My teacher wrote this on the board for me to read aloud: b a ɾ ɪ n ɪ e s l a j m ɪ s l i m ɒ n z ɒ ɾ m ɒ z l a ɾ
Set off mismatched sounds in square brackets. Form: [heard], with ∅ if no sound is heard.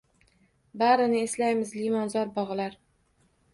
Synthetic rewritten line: b a ɾ ɪ n ɪ e s l a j m ɪ [z] l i m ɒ n z ɒ ɾ [b] ɒ [ʁ] l a ɾ